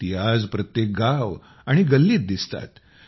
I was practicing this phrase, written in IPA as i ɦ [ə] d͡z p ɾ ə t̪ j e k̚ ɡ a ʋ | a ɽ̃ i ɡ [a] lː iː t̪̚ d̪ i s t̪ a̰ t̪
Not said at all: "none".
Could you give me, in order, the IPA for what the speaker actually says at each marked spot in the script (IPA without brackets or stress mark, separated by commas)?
a, ə